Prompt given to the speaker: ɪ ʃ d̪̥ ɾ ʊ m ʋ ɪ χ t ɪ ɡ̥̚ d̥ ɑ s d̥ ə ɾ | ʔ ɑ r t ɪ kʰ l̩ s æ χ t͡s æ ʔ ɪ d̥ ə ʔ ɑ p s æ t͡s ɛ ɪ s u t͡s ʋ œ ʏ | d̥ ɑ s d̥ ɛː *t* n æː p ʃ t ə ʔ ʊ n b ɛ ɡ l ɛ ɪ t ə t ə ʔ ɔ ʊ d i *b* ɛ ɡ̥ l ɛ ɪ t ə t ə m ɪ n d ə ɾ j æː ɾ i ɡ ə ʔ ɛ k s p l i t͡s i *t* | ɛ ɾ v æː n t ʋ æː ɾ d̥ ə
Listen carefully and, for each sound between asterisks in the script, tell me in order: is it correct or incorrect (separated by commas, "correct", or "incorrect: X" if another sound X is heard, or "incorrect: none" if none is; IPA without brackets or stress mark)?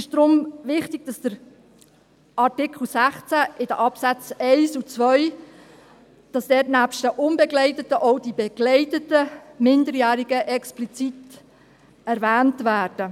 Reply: correct, correct, correct